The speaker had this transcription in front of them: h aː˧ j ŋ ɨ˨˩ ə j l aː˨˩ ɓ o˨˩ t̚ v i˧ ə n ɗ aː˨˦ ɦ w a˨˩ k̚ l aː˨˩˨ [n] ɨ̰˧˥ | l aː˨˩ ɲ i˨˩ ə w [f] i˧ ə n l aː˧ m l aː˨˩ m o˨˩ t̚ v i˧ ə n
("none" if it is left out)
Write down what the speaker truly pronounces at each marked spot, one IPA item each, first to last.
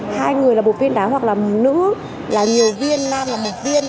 n, v

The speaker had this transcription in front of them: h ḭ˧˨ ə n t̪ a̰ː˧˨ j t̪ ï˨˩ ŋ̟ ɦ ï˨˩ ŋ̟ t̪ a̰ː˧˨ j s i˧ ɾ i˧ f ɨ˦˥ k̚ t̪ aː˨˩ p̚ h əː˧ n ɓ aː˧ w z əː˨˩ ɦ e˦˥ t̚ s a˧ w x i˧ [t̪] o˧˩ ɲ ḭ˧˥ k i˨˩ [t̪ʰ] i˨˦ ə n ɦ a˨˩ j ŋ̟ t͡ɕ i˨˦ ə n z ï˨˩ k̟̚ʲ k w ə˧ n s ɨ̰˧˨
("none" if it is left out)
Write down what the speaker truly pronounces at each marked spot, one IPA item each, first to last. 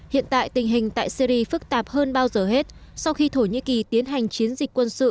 t̪ʰ, t̪

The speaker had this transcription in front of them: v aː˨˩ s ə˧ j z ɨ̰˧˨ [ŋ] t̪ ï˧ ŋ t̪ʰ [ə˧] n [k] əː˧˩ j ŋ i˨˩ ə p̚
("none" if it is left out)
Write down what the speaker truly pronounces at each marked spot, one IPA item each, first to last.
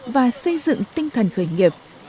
ŋ, ə˨˩, x

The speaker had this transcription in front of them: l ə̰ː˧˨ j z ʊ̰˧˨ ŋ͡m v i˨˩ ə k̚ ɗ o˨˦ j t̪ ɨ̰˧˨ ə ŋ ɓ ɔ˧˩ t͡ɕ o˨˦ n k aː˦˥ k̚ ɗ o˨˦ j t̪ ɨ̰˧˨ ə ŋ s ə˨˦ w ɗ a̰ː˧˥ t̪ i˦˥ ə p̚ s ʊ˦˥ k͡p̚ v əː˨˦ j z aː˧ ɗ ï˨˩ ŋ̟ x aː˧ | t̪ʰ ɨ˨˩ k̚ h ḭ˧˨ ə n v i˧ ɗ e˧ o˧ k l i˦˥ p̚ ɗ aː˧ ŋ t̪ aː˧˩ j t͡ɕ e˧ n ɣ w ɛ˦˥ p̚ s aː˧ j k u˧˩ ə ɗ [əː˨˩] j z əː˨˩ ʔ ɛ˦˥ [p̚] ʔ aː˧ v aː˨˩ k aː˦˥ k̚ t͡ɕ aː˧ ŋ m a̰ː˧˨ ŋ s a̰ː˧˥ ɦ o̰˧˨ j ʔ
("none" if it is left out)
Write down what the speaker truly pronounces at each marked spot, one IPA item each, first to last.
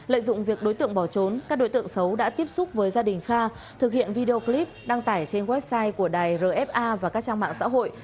aː˨˩, p̚

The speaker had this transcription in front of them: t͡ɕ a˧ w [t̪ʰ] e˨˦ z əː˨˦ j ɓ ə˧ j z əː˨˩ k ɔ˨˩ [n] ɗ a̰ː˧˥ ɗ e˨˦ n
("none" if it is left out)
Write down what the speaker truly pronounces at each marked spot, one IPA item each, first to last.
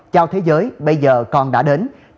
t̪ʰ, n

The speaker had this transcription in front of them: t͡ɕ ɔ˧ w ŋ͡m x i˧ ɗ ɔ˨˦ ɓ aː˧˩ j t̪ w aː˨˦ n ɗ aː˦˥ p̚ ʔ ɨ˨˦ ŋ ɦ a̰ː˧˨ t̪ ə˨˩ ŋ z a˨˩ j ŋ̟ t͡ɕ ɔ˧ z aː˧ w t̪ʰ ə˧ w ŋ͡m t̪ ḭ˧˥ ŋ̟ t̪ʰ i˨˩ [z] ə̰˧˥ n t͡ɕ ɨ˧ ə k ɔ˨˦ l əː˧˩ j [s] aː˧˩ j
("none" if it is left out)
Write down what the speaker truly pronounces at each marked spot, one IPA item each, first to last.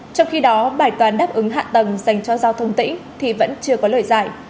v, z

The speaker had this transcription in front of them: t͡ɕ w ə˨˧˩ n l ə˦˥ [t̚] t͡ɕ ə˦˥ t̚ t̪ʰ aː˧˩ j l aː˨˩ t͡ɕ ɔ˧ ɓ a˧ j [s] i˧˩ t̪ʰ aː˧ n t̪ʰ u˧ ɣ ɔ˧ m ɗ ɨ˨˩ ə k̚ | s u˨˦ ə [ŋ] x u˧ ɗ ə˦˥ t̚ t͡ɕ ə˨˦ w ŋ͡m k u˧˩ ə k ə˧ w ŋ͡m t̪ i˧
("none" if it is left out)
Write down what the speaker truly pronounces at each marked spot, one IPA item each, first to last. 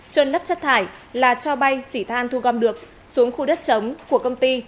p̚, s, ŋ

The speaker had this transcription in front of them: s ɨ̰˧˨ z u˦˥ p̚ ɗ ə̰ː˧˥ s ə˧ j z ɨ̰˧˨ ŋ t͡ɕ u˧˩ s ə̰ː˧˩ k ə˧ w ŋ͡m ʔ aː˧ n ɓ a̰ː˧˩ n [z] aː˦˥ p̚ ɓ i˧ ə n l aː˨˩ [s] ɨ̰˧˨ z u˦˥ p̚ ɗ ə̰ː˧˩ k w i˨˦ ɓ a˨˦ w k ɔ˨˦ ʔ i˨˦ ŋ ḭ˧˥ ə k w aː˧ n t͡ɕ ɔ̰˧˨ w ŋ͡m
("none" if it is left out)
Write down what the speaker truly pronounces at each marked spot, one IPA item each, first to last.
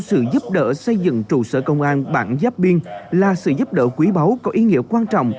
z, s

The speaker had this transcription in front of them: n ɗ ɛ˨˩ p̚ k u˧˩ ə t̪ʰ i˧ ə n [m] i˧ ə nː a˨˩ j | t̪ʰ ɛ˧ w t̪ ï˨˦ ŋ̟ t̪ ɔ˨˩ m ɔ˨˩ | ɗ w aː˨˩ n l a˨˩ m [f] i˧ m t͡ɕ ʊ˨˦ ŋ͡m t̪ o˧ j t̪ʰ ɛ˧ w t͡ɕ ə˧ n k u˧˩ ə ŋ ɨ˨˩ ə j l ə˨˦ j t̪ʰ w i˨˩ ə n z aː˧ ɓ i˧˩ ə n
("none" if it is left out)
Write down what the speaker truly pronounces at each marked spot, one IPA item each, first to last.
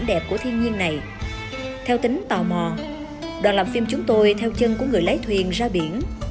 ɲ, f

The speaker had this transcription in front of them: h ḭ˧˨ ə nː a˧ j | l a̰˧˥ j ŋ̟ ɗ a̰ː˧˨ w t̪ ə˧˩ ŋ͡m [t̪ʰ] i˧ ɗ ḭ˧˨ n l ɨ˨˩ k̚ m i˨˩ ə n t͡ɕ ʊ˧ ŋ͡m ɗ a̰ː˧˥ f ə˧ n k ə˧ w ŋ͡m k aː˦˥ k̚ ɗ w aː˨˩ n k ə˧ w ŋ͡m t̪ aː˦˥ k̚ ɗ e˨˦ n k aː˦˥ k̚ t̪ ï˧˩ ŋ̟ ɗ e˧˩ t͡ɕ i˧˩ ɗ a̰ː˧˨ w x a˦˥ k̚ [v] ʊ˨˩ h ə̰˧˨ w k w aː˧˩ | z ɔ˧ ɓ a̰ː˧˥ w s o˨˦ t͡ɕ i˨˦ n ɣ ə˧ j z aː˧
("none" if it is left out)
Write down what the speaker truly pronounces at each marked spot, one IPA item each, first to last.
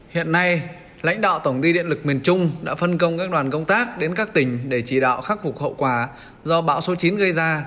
t̪, f

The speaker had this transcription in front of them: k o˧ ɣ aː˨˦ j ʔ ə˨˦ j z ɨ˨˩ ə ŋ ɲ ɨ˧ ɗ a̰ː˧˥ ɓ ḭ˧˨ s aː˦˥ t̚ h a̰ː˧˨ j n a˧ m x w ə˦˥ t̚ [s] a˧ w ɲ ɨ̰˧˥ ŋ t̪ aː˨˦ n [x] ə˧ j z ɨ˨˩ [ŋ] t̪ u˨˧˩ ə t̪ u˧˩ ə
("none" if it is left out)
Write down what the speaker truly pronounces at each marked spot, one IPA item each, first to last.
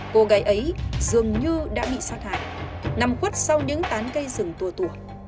s, k, ŋ

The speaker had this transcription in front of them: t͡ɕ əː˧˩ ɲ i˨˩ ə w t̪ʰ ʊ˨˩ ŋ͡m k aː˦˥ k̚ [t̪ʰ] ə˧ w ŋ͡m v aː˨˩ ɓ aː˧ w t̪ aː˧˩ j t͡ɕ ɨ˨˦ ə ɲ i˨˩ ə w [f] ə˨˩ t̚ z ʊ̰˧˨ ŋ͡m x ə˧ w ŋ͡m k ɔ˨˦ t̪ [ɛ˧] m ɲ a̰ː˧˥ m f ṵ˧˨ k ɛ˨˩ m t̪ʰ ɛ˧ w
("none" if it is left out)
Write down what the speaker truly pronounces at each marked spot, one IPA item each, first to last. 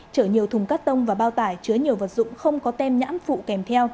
t̪, v, ɛ˧

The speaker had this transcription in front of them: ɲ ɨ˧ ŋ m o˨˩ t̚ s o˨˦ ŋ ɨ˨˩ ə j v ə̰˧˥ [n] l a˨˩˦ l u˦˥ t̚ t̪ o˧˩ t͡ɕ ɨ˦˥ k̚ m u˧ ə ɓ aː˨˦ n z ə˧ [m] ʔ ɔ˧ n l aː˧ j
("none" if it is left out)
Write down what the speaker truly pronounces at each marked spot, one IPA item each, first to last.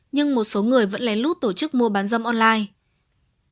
n, m

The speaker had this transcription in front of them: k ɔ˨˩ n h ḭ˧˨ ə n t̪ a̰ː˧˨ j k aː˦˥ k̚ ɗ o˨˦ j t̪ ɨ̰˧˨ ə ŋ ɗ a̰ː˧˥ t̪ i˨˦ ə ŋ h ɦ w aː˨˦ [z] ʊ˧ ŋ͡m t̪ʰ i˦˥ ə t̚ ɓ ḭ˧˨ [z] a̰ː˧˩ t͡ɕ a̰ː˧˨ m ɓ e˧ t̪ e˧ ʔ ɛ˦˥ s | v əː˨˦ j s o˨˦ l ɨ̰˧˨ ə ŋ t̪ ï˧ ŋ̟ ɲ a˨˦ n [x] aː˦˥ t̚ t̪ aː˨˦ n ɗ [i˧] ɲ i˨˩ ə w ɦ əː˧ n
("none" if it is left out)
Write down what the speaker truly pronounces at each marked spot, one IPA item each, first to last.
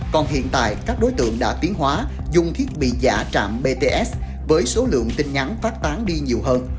z, z, f, i˧

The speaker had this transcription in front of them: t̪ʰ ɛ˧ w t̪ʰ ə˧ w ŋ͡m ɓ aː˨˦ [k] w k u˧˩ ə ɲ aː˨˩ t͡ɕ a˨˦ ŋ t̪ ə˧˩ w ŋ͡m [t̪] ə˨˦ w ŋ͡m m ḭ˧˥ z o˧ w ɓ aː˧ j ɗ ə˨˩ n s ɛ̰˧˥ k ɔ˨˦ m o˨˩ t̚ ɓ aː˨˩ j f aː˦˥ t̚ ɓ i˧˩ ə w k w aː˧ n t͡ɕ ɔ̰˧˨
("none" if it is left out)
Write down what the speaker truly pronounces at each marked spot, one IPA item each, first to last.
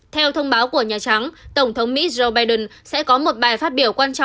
none, t̪ʰ

